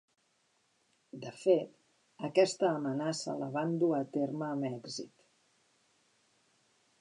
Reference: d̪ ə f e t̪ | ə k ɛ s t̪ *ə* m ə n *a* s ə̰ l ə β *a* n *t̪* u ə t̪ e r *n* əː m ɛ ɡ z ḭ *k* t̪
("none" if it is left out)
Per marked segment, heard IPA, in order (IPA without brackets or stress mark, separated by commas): əː, a, a, d̪, m, none